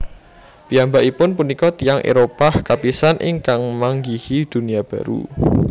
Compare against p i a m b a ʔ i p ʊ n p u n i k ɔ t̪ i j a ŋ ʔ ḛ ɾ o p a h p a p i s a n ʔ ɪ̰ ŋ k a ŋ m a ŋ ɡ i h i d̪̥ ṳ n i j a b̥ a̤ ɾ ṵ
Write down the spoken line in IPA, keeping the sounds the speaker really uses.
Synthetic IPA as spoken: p i a m b a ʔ i p ʊ n p u n i k ɔ t̪ i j a ŋ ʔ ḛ ɾ o p a h k a p i s a n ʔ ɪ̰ ŋ k a ŋ m a ŋ ɡ i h i d̪̥ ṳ n i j a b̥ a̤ ɾ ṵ